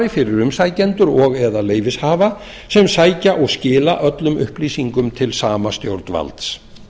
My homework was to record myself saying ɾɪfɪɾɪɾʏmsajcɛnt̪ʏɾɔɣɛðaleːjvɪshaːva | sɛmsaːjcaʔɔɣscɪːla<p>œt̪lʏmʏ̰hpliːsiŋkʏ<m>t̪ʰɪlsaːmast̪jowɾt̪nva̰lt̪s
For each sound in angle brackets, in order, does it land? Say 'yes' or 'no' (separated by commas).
no, yes